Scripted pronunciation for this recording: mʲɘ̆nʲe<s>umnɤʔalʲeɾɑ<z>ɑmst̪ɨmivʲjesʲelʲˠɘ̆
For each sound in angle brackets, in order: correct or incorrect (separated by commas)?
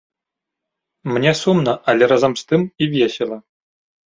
correct, correct